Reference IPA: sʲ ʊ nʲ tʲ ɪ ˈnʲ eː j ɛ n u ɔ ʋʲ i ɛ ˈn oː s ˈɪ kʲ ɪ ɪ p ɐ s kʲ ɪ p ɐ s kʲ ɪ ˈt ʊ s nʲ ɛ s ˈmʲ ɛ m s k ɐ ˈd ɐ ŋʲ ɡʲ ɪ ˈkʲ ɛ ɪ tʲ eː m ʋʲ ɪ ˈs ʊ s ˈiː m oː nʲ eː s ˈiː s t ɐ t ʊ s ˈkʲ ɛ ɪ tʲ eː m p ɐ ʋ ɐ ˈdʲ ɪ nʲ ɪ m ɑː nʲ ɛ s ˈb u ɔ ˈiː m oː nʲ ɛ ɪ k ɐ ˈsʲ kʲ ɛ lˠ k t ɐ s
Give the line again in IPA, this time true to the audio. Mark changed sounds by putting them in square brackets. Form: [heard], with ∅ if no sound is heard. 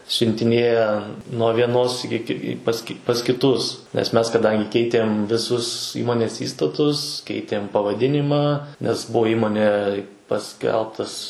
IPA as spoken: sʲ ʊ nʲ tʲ ɪ ˈnʲ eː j ɛ n u ɔ ʋʲ i ɛ ˈn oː s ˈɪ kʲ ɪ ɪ p ɐ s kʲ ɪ p ɐ s kʲ ɪ ˈt ʊ s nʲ ɛ s ˈmʲ ɛ [∅] s k ɐ ˈd ɐ ŋʲ ɡʲ ɪ ˈkʲ ɛ ɪ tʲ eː m ʋʲ ɪ ˈs ʊ s ˈiː m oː nʲ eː s ˈiː s t ɐ t ʊ s ˈkʲ ɛ ɪ tʲ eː m p ɐ ʋ ɐ ˈdʲ ɪ nʲ ɪ m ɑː nʲ ɛ s ˈb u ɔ ˈiː m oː nʲ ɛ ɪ [p] ɐ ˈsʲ kʲ ɛ lˠ [p] t ɐ s